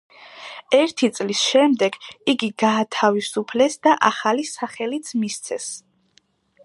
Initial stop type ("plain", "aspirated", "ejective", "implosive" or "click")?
aspirated